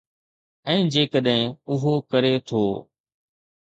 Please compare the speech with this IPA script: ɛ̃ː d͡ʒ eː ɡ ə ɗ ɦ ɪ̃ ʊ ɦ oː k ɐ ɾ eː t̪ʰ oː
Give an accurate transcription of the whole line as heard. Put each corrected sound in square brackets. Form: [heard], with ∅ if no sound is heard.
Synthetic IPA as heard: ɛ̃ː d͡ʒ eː [k] ə ɗ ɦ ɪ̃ ʊ ɦ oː k [ə] ɾ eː t̪ʰ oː